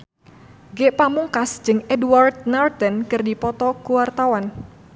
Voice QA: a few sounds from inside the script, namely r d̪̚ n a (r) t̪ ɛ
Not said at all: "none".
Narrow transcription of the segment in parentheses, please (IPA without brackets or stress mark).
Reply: r